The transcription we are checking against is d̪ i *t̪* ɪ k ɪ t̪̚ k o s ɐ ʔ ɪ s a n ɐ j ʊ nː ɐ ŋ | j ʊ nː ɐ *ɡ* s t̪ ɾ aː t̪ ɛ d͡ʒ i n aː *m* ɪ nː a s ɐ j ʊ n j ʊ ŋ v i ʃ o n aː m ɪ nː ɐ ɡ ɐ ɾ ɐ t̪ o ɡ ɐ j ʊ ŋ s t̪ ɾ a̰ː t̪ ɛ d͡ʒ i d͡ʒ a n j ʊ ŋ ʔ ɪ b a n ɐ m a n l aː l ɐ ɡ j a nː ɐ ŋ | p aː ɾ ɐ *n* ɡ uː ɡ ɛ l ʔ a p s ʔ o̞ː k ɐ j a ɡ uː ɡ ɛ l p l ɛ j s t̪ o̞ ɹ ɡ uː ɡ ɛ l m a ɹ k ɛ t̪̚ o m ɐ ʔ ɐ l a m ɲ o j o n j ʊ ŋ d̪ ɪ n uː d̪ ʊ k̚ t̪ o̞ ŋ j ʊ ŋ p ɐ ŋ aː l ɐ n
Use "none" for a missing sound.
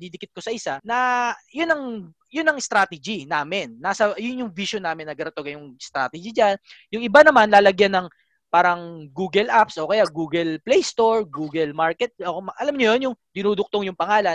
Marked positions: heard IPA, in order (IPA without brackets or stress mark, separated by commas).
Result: d̪, ŋ, m, ŋ